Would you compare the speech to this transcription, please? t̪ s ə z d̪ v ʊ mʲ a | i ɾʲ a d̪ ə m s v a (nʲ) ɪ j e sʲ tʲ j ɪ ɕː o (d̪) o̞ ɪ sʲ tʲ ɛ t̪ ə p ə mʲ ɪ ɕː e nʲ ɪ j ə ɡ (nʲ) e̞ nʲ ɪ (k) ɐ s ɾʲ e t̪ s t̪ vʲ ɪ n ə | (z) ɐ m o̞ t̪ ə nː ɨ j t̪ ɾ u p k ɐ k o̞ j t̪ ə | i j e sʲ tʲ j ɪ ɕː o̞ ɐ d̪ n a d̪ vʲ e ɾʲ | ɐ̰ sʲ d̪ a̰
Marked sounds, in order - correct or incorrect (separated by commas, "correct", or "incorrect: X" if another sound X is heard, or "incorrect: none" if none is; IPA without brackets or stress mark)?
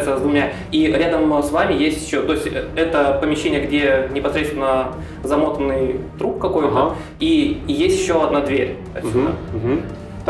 incorrect: mʲ, incorrect: t̪, incorrect: dʲ, incorrect: p, correct